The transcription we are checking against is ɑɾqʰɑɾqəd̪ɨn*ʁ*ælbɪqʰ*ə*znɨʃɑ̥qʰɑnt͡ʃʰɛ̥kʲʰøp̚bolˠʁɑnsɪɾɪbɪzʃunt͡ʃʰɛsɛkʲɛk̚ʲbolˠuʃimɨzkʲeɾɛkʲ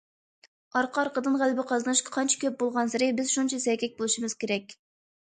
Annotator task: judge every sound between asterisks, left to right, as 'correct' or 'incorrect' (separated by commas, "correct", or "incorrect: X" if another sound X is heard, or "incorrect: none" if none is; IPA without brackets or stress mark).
correct, incorrect: ɑ